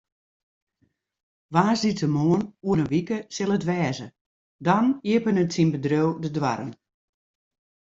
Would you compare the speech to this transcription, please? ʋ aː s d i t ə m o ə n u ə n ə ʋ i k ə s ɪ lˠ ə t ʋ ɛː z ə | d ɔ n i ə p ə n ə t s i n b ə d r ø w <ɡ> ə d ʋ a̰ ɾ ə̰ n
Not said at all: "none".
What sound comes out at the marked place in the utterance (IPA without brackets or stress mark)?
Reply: d